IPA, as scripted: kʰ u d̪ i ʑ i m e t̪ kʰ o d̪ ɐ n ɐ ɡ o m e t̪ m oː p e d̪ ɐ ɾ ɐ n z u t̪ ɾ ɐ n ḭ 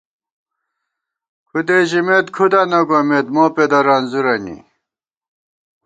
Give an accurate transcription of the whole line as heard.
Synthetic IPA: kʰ u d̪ e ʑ i m e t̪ kʰ u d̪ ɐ n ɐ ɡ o m e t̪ m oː p e d̪ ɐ ɾ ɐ n z u ɾ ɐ n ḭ